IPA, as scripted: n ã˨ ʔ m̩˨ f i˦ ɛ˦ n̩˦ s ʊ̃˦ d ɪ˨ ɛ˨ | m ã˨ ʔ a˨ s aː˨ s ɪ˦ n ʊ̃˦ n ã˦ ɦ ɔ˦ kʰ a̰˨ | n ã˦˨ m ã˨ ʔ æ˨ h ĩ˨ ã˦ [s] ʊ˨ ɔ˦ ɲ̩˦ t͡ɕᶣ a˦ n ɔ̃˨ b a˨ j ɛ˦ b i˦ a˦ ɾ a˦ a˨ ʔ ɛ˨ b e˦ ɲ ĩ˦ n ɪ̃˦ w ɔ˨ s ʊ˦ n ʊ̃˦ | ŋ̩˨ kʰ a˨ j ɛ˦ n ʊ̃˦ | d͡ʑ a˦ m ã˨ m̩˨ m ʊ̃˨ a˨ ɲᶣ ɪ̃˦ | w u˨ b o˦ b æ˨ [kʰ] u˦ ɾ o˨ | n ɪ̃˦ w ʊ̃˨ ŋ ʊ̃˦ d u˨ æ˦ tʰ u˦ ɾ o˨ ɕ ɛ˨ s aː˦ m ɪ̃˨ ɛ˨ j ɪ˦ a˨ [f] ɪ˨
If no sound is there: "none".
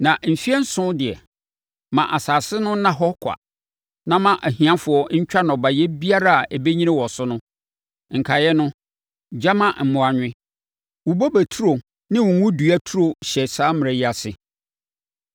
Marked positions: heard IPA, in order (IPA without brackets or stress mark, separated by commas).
f, tʰ, s